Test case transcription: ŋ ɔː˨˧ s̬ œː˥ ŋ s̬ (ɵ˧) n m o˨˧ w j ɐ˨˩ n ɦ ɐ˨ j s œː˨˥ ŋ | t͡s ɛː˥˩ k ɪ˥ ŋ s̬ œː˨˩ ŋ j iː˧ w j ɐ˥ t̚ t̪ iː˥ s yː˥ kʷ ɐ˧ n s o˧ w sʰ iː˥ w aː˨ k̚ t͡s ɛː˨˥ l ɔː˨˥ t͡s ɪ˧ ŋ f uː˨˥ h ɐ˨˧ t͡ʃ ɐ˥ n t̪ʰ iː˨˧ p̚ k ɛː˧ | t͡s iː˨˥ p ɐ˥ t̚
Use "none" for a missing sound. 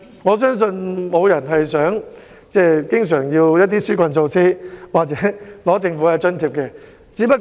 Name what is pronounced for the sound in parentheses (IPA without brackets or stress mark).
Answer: ɵ˧